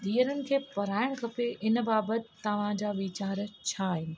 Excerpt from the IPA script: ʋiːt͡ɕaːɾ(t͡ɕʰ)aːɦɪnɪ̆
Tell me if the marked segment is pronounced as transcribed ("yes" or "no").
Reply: yes